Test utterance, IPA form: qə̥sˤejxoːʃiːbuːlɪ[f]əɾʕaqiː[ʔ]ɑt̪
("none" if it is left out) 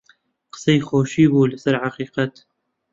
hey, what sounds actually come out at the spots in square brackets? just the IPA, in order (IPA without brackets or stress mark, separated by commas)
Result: s, q